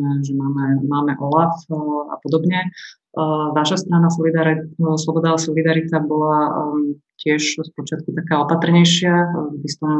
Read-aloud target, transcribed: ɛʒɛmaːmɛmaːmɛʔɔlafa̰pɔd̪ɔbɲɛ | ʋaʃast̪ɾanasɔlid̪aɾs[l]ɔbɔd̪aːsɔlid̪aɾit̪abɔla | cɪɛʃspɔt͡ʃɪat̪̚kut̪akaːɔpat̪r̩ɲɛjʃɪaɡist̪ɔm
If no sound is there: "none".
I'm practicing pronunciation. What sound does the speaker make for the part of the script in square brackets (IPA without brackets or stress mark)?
l